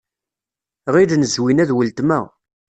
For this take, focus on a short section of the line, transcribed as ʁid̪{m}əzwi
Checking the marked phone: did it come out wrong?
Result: yes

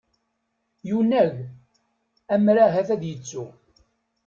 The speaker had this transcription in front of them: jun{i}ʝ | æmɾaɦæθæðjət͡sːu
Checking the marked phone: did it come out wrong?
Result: yes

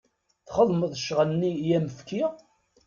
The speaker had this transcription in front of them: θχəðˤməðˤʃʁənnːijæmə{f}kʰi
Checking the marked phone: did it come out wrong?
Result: no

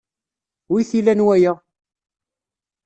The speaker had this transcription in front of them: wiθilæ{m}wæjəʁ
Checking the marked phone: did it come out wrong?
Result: yes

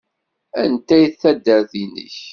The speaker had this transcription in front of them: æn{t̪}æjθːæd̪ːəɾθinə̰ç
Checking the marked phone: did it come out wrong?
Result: no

